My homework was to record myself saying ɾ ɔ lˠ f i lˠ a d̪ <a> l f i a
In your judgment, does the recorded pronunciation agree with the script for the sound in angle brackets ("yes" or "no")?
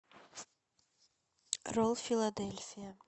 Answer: no